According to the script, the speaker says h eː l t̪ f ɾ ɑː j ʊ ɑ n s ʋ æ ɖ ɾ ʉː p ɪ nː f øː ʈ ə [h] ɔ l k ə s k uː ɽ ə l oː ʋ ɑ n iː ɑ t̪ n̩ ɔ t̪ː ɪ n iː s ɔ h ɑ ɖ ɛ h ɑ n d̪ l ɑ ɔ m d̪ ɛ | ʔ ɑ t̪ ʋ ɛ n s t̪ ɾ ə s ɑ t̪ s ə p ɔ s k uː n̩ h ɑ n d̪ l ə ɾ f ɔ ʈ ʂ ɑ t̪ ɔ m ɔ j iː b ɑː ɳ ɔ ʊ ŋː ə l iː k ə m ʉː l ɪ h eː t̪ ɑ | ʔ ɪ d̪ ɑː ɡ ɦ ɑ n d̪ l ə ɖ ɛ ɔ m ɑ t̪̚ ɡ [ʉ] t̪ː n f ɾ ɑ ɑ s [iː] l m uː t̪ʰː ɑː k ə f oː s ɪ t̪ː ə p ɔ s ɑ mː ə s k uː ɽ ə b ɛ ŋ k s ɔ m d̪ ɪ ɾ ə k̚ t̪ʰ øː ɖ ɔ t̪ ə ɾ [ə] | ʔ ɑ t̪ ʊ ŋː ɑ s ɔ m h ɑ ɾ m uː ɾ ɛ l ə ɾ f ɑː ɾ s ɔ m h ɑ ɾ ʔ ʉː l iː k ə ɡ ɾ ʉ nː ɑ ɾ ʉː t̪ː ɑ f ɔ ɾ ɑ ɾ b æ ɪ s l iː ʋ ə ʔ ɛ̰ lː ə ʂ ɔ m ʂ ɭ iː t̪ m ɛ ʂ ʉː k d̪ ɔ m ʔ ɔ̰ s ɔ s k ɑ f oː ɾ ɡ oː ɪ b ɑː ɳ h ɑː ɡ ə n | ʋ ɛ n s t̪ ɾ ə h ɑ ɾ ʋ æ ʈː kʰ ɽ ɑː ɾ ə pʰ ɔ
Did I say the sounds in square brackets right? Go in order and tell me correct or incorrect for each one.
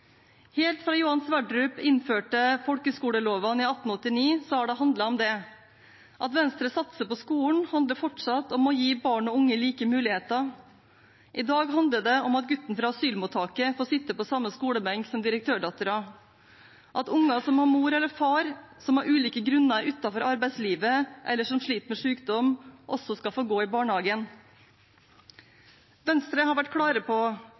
incorrect: f, correct, incorrect: yː, incorrect: ɑ

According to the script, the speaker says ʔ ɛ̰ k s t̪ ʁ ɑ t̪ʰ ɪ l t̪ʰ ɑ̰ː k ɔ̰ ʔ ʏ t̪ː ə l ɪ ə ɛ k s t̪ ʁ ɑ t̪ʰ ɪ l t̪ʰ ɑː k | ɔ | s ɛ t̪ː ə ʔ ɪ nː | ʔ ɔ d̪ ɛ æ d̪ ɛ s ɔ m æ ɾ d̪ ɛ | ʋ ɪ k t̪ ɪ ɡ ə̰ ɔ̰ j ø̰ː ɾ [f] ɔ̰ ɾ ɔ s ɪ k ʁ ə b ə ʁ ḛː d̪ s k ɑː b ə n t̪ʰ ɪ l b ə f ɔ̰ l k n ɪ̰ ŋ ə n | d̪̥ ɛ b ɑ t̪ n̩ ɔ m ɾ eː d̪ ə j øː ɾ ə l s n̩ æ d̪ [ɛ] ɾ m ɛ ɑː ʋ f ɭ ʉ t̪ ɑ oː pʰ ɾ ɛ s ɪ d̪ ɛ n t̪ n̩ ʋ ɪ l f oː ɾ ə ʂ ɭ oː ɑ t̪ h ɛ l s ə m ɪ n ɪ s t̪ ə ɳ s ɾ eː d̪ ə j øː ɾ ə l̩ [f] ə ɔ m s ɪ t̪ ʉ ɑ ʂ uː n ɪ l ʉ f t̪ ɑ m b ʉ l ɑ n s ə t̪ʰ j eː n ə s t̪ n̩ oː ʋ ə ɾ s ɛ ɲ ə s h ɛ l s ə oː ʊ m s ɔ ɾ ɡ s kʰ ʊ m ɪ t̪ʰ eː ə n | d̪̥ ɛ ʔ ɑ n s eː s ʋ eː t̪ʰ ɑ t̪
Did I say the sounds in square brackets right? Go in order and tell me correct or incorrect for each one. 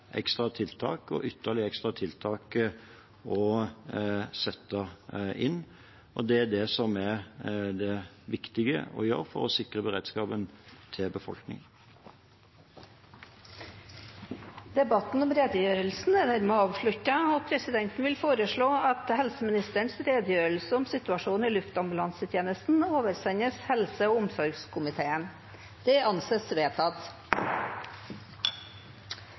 correct, incorrect: æ, incorrect: s

